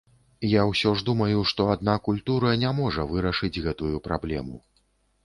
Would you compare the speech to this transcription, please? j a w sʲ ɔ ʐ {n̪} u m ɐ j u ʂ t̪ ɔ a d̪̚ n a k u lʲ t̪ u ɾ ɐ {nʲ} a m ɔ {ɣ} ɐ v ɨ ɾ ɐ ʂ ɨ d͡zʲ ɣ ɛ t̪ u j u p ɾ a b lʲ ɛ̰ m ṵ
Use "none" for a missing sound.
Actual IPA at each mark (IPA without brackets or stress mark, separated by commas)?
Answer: d̪, nʲ, ʐ